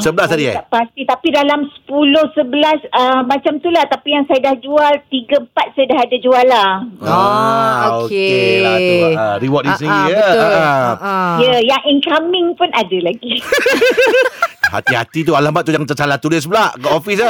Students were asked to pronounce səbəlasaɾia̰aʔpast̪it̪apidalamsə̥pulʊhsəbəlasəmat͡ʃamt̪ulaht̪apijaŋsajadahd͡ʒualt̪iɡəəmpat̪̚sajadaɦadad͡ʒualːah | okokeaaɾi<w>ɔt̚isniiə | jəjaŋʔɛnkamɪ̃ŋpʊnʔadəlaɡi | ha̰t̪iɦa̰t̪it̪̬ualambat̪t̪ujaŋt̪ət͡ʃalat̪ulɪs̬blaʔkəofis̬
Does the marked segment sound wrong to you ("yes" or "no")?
no